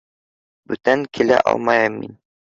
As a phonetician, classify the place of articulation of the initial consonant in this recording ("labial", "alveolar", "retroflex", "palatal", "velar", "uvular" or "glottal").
labial